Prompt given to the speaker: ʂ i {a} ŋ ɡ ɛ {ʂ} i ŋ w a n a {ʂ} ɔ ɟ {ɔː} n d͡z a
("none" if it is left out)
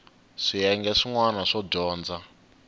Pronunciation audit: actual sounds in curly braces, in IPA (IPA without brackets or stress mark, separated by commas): ɛ, ʂ, ʂ, ɔː